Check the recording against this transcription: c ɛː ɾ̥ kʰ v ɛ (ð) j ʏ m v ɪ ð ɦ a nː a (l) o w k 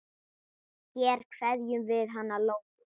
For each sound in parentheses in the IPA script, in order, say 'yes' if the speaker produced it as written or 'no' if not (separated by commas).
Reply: yes, yes